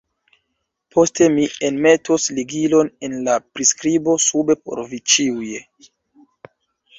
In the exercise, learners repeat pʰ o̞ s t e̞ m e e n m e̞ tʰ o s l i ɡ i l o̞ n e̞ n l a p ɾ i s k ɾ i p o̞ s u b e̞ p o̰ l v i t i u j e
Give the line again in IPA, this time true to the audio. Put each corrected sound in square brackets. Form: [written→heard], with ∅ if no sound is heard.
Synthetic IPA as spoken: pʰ o̞ s t e̞ m [e→i] e n m e̞ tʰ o s l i ɡ i l o̞ n e̞ n l a p ɾ i s k ɾ i [p→b] o̞ s u b e̞ p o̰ [l→ɾ] v i [t→t͡ʃ] i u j e